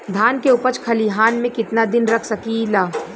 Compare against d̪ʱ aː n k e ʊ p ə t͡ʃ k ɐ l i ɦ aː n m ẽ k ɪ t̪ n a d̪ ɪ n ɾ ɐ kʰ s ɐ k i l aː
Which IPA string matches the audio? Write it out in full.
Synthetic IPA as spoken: d̪ʱ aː n k e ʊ p ə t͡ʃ kʰ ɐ l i ɦ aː n m ẽ k ɪ t̪ n a d̪ ɪ n ɾ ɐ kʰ s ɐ k i l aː